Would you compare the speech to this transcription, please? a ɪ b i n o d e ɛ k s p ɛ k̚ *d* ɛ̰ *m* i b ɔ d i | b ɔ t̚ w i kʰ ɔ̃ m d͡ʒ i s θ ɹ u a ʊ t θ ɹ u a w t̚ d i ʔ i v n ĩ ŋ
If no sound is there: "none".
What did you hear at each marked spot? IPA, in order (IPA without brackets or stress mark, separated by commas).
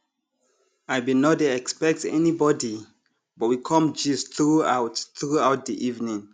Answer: t, n